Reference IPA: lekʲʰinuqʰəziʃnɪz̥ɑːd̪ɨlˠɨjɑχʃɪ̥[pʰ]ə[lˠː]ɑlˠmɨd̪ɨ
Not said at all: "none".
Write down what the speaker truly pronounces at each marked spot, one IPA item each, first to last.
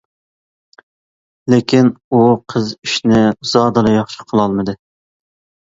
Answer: qʰ, lˠ

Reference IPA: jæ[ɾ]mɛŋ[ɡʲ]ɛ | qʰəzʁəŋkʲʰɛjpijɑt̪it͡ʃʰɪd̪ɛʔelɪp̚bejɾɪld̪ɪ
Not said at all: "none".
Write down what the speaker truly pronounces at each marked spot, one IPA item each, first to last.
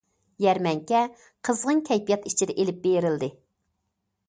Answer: ɾ, kʲ

